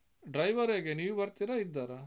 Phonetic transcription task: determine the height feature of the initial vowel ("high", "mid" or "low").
low